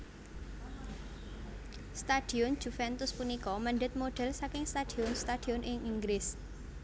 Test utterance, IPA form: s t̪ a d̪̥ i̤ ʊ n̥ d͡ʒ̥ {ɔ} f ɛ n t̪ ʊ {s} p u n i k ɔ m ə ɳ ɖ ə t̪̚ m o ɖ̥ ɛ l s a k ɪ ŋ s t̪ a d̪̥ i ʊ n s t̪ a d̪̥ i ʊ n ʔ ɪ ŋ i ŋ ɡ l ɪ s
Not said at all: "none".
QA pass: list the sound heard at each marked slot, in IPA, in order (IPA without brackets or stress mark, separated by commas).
u, s